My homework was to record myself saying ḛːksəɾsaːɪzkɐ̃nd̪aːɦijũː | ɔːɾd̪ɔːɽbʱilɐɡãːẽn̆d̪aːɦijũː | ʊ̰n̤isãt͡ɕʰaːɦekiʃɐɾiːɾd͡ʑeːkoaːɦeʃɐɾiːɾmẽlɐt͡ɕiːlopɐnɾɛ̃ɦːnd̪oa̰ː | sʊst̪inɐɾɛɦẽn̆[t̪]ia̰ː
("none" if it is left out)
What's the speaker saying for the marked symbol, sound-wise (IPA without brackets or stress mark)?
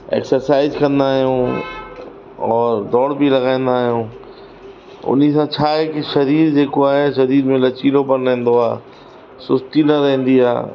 d̪